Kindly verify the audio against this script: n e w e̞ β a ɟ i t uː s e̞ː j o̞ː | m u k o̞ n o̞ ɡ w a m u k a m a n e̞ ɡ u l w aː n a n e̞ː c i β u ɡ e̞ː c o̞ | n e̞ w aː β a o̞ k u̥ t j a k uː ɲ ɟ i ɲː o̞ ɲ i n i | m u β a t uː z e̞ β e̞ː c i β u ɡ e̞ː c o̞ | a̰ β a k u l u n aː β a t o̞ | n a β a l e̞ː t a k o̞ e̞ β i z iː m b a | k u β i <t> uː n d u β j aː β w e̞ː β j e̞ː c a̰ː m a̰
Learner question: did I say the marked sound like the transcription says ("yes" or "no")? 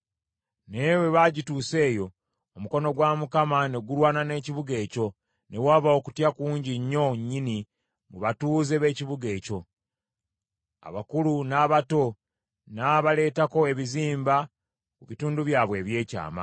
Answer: yes